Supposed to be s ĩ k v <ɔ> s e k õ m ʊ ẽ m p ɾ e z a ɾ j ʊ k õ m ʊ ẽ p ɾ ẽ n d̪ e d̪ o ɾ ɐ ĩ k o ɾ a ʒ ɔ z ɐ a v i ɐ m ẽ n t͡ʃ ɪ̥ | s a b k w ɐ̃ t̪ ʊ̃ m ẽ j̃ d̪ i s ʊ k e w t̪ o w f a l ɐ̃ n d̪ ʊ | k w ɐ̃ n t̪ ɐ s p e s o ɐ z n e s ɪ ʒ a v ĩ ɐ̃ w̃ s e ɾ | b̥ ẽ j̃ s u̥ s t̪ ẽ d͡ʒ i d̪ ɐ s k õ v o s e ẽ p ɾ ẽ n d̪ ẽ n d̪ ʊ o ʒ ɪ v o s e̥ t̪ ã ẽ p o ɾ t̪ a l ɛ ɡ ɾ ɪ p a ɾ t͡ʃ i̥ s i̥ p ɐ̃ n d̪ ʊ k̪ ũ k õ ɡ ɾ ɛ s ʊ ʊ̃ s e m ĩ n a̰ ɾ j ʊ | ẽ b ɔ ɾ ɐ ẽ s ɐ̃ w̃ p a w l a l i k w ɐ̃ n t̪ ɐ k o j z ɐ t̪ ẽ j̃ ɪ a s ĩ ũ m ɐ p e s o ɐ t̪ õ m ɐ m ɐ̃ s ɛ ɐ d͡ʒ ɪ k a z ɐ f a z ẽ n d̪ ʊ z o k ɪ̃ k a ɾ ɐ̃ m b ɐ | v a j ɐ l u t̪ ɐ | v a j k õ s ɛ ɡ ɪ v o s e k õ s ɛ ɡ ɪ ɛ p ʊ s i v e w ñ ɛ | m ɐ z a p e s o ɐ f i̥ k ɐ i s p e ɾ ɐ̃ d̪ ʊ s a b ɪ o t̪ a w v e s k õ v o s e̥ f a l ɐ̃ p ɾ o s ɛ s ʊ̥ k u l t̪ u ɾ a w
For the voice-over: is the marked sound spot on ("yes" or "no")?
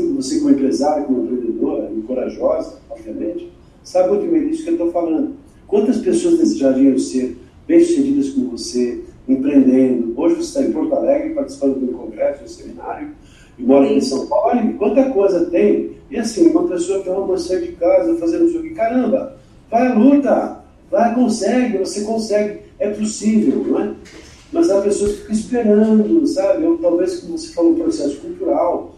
no